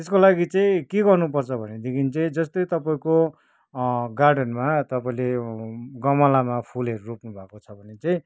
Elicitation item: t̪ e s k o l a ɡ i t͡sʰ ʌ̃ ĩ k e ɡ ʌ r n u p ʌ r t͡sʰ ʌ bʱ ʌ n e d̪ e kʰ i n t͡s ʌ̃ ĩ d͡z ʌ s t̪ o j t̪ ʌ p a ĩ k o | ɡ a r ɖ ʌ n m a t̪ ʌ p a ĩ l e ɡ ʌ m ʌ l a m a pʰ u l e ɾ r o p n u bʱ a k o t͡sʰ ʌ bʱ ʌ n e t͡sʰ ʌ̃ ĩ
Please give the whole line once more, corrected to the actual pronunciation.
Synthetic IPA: t̪ e s k o l a ɡ i t͡s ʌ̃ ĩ k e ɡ ʌ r n u p ʌ r t͡sʰ ʌ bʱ ʌ n e d̪ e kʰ i n t͡s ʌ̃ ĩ d͡z ʌ s t̪ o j t̪ ʌ p a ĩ k o | ɡ a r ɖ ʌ n m a t̪ ʌ p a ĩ l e ɡ ʌ m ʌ l a m a pʰ u l e ɾ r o p n u bʱ a k o t͡sʰ ʌ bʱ ʌ n e t͡s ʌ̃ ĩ